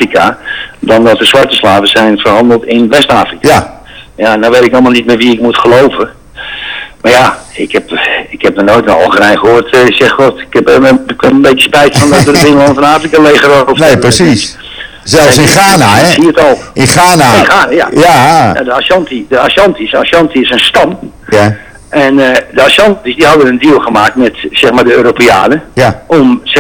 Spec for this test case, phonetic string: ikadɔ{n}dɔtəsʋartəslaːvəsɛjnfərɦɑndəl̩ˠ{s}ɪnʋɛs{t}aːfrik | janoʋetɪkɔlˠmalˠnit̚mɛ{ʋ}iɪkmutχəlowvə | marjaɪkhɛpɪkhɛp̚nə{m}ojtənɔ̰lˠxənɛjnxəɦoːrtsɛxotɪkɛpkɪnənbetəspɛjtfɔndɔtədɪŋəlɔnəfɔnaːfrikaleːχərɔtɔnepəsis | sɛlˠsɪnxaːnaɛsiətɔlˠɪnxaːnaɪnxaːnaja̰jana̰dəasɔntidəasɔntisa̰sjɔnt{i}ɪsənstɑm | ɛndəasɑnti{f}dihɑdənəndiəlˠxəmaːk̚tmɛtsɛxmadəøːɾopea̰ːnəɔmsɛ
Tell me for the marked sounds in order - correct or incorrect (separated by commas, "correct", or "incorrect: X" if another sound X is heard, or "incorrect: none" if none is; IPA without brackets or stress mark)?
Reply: correct, incorrect: t, correct, correct, incorrect: n, correct, incorrect: s